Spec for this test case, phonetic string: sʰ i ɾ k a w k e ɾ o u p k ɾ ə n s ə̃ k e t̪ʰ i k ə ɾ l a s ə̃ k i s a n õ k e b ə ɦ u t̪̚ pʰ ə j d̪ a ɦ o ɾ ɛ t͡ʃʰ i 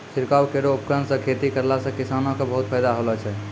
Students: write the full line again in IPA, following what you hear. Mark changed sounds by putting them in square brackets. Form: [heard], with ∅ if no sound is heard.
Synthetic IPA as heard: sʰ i ɾ k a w k e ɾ o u p k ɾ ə n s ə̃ [kʰ] e [t̪] i k ə ɾ l a s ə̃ k i s a n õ k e b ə ɦ u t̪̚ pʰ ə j d̪ a ɦ o [l] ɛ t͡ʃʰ [ɛ]